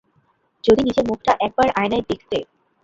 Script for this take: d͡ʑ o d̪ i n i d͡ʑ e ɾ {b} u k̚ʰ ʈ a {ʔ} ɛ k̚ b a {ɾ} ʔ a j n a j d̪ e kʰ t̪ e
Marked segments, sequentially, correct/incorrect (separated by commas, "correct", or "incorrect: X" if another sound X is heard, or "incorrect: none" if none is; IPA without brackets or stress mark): incorrect: m, correct, correct